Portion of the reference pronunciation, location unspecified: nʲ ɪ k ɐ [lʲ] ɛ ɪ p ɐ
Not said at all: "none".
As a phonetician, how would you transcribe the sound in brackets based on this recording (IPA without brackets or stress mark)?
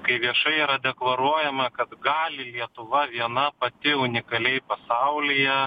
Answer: lʲ